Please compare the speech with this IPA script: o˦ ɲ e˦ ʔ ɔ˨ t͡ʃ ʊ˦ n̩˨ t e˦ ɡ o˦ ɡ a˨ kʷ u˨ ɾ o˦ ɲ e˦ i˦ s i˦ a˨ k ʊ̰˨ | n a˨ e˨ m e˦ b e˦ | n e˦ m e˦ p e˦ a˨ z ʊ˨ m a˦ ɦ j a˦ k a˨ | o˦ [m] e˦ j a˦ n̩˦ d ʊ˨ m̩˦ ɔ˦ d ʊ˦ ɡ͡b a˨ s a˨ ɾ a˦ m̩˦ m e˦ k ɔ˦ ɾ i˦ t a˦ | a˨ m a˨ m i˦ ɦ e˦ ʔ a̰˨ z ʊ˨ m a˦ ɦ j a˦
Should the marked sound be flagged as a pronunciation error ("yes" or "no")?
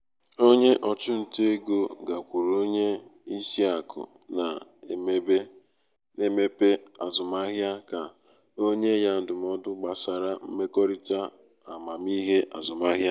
yes